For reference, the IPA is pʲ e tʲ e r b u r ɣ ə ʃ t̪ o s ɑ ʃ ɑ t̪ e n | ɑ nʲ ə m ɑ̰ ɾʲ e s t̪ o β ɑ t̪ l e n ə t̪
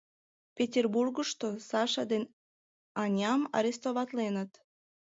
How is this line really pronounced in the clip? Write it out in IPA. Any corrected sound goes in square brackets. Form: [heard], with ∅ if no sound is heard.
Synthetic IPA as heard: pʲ e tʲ e r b u r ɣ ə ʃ t̪ o s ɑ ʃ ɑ [d̪] e n | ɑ nʲ [ɑ] m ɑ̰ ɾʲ e s t̪ o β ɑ t̪ l e n ə t̪

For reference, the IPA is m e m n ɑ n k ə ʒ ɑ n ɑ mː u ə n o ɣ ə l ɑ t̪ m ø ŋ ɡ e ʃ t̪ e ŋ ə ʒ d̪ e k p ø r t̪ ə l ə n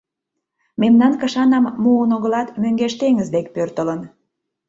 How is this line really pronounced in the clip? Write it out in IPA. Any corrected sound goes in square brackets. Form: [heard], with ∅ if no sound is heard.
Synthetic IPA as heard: m e m n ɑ n k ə [ʃ] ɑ n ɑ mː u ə n o ɣ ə l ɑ t̪ m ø ŋ ɡ e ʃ t̪ e ŋ ə [z] d̪ e k p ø r t̪ ə l ə n

